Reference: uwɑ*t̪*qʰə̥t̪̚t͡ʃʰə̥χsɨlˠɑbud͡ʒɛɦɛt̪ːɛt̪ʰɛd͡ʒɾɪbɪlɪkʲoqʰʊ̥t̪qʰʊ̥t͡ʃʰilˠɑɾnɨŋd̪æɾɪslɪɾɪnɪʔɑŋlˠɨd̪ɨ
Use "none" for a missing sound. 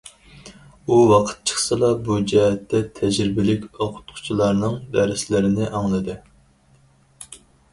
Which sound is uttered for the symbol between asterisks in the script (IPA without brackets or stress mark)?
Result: none